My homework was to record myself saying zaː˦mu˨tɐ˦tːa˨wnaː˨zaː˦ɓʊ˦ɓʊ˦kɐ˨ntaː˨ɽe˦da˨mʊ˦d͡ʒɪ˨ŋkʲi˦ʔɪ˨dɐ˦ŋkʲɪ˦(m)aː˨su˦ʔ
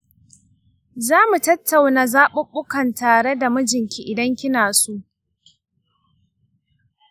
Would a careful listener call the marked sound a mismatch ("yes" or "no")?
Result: yes